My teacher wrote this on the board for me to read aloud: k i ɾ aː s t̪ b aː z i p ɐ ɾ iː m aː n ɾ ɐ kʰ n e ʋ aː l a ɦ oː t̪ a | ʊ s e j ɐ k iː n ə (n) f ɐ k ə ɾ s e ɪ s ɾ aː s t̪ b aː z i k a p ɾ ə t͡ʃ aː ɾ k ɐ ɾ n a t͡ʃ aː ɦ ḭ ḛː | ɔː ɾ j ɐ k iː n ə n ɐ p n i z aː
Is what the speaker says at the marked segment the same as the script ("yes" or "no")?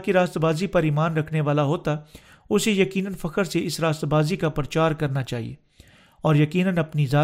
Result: yes